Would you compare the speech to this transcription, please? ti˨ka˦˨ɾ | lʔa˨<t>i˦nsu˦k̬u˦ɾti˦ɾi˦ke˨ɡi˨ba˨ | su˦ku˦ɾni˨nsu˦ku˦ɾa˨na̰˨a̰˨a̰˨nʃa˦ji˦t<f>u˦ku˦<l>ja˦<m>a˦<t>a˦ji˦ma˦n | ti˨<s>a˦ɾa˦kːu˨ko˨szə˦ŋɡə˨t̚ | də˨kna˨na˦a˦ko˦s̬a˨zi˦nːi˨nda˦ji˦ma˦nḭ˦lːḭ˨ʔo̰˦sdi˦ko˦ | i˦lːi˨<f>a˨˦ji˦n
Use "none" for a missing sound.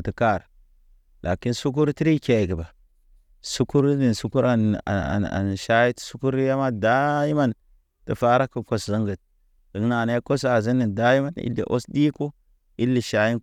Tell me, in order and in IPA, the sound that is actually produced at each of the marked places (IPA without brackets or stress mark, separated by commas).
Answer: k, s, ɾ, m, d, f, ʃ